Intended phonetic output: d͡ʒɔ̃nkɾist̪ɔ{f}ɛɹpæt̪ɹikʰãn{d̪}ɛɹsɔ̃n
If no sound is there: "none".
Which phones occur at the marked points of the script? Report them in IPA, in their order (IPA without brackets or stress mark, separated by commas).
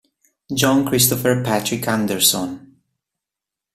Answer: f, d̪